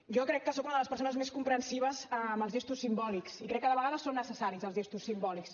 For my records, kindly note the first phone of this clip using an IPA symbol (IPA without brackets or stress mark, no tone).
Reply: ʒ